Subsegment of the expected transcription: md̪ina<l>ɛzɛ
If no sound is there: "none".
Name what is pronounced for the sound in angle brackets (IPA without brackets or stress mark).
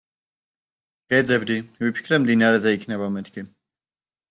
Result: ɾ